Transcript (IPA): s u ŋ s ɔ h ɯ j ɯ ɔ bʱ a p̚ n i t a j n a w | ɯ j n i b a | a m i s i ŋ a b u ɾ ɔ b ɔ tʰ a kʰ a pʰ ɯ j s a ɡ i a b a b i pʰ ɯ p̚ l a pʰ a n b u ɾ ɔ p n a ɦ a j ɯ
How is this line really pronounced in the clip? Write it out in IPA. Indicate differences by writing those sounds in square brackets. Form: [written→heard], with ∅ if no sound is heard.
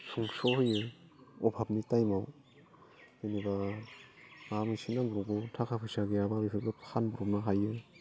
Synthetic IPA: s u ŋ s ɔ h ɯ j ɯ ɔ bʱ a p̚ n i t a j [n→m] a w | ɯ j n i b a | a m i s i [ŋ→n] a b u ɾ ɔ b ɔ tʰ a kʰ a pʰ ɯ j s a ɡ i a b a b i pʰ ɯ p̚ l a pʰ a n b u ɾ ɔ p n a ɦ a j ɯ